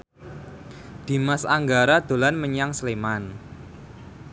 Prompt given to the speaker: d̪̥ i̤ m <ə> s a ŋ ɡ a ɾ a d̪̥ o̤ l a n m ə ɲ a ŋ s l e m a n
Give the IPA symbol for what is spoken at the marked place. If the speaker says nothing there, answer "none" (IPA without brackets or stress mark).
a